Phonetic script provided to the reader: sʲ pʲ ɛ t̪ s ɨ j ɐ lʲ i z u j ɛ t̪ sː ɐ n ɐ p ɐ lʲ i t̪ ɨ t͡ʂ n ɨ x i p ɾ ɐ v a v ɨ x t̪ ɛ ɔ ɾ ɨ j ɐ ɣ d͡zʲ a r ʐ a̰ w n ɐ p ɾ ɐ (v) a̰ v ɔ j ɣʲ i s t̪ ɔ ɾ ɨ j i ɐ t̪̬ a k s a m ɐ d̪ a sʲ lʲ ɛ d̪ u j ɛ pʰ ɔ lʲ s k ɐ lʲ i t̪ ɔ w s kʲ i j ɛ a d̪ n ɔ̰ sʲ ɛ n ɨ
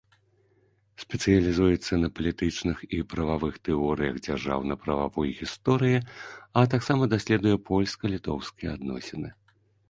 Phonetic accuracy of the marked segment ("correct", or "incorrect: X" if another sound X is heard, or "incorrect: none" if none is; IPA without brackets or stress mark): correct